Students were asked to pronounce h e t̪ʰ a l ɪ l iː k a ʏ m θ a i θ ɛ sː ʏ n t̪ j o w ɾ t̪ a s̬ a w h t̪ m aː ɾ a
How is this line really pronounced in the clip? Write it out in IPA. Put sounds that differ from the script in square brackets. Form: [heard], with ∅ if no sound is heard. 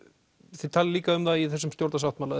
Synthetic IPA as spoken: [θ] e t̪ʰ a l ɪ l iː k a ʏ m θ a i θ ɛ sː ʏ [m] t̪ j o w ɾ t̪ a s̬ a w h t̪ m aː [l] a